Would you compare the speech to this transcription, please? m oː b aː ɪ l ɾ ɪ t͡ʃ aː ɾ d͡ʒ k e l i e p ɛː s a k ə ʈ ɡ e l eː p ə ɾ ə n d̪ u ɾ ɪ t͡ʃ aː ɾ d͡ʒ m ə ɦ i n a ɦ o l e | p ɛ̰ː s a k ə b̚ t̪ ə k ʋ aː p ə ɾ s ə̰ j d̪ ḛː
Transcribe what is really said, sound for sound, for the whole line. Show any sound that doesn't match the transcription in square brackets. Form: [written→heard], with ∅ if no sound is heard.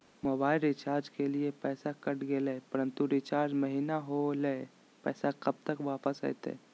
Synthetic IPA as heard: m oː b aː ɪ l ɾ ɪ t͡ʃ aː ɾ d͡ʒ k e l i e p ɛː s a k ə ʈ ɡ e l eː p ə ɾ ə n [d̪→t̪] u ɾ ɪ t͡ʃ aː ɾ d͡ʒ m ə ɦ i n a ɦ o l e | p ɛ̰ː s a k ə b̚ t̪ ə k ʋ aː p ə [ɾ→∅] s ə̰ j [d̪→t̪] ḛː

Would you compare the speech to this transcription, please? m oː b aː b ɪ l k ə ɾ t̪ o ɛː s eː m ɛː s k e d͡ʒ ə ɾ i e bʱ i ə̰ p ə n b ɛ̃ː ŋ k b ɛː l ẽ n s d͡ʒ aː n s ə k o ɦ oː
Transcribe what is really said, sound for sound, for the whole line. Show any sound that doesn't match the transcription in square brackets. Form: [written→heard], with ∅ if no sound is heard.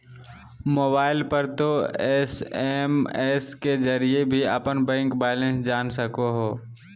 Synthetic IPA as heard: m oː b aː [b→∅] ɪ l [k→p] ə ɾ t̪ o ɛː s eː m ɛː s k e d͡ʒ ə ɾ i e bʱ i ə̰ p ə n b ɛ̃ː ŋ k b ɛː l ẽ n s d͡ʒ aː n s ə k o ɦ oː

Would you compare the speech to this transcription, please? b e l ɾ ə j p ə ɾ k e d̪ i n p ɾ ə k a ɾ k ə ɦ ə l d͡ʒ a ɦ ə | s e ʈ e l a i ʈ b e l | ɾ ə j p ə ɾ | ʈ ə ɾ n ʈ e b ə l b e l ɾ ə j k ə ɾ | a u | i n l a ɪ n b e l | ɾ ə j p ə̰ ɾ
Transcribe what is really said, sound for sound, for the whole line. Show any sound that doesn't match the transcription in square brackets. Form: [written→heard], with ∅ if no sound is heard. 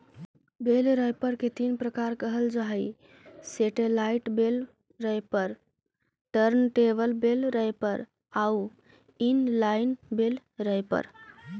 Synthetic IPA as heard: b e l ɾ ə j p ə ɾ k e [d̪→t̪] i n p ɾ ə k a ɾ k ə ɦ ə l d͡ʒ a ɦ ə | s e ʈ e l a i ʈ b e l | ɾ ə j p ə ɾ | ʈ ə ɾ n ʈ e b ə l b e l ɾ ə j [k→p] ə ɾ | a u | i n l a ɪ n b e l | ɾ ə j p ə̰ ɾ

